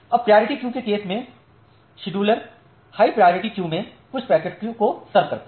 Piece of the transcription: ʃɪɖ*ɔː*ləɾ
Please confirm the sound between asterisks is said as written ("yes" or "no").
no